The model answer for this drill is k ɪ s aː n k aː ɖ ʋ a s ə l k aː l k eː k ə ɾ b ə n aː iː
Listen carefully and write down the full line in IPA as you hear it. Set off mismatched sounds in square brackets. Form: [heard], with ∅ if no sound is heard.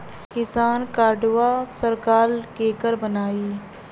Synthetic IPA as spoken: k ɪ s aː n k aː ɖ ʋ a s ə [ɾ] k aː l k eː k ə ɾ b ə n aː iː